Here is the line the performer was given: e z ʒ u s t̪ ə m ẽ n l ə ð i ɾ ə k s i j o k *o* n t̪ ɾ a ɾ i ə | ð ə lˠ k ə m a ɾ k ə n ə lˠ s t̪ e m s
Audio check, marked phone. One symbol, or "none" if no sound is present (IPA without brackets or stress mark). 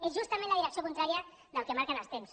u